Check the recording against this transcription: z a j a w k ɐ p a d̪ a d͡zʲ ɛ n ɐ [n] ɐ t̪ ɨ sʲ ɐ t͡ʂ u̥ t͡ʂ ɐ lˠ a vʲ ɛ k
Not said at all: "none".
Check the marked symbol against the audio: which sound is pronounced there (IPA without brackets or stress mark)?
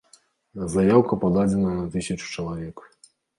n